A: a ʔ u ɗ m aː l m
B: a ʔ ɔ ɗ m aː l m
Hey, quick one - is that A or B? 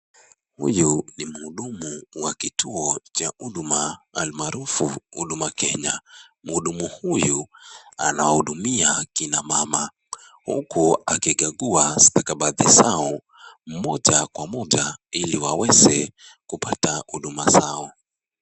A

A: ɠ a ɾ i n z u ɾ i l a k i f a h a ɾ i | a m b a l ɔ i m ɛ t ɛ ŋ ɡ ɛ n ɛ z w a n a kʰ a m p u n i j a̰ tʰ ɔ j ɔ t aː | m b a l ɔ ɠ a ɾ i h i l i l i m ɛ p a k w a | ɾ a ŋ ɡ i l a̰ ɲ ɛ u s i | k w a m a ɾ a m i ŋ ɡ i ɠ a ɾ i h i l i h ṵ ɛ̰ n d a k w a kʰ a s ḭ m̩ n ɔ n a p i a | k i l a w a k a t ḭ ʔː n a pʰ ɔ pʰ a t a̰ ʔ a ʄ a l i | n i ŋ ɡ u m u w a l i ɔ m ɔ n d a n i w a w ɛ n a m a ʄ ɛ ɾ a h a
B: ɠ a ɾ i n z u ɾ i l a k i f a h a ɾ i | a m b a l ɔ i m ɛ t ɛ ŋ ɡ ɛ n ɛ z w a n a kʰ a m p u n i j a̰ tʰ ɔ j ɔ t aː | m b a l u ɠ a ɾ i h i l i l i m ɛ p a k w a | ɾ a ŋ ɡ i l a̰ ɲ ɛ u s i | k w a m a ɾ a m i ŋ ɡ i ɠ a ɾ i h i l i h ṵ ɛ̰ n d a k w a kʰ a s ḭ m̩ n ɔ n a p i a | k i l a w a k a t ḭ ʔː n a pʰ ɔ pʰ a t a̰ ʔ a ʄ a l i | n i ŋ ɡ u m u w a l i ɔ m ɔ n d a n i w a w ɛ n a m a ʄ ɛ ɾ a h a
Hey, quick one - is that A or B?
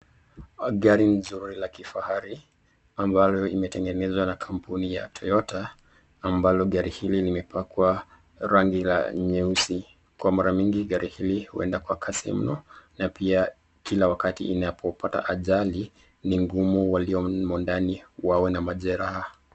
A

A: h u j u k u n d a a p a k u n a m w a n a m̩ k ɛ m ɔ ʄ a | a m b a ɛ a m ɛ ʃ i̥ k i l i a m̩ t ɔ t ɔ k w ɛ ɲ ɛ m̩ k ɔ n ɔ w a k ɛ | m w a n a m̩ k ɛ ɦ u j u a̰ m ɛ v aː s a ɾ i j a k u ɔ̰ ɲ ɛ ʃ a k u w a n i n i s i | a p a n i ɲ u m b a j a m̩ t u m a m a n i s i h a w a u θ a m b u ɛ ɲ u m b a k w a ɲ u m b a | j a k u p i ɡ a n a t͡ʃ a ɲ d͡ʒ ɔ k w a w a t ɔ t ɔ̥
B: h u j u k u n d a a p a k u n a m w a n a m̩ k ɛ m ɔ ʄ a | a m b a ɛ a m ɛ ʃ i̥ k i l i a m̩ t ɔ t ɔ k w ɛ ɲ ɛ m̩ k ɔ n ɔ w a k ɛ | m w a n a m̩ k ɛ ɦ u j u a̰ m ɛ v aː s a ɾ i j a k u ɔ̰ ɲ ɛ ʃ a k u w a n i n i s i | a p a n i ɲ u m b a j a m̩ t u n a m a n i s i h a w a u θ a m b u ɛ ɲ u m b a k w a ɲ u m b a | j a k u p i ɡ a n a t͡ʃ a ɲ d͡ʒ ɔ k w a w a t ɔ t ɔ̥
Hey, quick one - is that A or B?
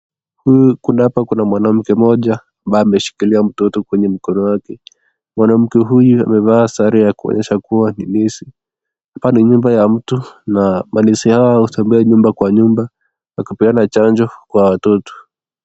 B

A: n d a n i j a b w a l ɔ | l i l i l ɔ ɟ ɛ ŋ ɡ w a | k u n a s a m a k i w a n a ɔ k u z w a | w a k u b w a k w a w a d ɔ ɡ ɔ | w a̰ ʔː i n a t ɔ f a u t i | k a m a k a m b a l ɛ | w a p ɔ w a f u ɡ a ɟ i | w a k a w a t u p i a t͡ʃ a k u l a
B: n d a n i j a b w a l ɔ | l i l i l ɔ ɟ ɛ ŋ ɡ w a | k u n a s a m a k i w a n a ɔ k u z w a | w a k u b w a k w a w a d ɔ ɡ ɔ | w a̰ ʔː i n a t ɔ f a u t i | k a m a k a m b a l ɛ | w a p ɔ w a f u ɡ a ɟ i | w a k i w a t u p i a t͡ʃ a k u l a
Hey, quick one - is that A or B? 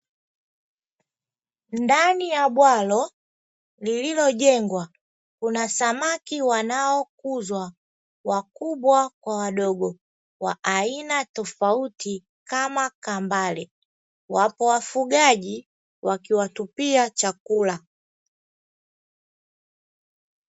B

